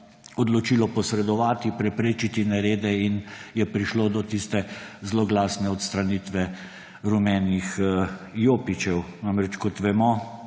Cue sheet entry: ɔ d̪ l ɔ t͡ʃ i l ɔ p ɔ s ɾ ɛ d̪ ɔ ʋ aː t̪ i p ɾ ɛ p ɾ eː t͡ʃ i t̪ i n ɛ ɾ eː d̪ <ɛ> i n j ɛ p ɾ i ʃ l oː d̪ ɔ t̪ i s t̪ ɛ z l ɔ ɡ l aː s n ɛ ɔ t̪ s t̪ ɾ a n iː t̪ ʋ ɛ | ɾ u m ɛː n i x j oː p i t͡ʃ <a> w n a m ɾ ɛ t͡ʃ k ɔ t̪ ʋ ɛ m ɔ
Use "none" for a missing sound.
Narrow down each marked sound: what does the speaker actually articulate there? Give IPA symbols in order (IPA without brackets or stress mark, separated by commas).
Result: ɛ, ɛ